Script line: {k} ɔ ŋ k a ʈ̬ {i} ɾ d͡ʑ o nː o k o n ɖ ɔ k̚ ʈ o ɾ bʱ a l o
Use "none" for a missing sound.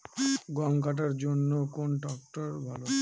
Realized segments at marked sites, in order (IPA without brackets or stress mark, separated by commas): ɡ, a